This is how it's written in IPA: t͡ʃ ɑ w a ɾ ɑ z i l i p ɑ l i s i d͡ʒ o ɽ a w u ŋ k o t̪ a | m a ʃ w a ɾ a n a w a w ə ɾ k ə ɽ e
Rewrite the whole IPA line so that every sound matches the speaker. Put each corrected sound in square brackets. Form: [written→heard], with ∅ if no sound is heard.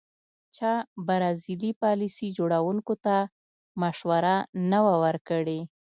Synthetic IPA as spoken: t͡ʃ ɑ [w→b] a ɾ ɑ z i l i p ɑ l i s i d͡ʒ o ɽ a w u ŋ k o t̪ a | m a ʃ w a ɾ a n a w a w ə ɾ k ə ɽ e

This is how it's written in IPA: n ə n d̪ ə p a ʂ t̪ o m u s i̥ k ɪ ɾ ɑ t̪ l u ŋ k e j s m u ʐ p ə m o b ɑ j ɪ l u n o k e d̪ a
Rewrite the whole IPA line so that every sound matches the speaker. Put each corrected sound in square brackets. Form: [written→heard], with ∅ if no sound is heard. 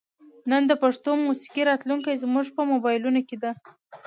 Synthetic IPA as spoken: n ə n d̪ ə p a ʂ t̪ o m u s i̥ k [ɪ→i] ɾ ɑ t̪ l u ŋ k [e→a] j [s→z] m u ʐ p ə m o b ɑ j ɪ l u n o k e d̪ a

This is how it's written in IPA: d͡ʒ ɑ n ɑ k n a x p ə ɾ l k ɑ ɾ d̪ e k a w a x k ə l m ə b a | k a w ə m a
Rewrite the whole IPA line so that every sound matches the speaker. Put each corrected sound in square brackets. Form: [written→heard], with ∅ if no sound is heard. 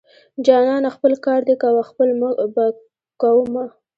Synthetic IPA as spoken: d͡ʒ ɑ n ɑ [k→∅] n a x p ə [ɾ→∅] l k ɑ ɾ d̪ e k a w a x [k→p] ə l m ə b a | k a w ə m a

